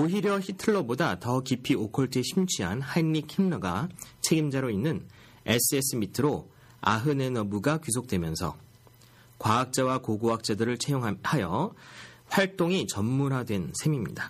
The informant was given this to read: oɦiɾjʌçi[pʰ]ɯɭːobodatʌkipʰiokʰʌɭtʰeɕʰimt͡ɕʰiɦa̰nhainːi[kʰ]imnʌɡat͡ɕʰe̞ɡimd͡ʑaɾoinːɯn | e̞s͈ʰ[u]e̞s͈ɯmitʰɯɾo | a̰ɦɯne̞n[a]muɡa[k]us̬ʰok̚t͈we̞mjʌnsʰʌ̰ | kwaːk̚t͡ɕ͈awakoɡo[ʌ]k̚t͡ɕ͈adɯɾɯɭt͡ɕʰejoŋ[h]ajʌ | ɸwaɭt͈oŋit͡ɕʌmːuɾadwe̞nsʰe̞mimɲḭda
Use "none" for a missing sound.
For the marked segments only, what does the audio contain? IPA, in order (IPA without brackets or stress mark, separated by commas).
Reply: tʰ, kʰ, ɯ, ʌ, k, a, h